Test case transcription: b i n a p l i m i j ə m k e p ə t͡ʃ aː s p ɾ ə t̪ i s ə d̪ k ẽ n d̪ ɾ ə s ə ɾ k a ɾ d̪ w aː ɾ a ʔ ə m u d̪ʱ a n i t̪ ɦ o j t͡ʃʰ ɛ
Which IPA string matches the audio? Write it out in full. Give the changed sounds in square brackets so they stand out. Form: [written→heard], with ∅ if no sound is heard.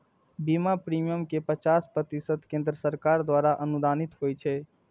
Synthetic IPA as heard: b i [n→m] a p [l→ɾ] i m i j ə m k e p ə t͡ʃ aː s p ɾ ə t̪ i s ə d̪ k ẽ n d̪ ɾ ə s ə ɾ k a ɾ d̪ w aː ɾ a ʔ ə [m→n] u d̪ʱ a n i t̪ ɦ o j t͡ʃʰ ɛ